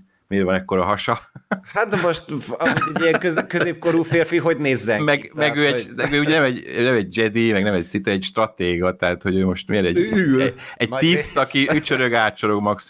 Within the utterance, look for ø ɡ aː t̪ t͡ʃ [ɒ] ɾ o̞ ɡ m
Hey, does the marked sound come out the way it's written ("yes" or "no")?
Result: no